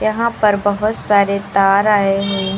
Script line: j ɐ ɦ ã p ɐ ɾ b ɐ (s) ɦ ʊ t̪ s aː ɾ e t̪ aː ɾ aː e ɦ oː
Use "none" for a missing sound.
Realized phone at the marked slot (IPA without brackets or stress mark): none